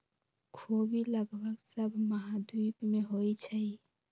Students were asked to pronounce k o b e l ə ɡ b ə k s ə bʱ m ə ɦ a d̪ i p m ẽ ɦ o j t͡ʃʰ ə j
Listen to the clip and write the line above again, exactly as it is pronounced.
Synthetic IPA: kʰ o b i l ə ɡ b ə k s ə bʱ m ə ɦ a d̪ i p m e ɦ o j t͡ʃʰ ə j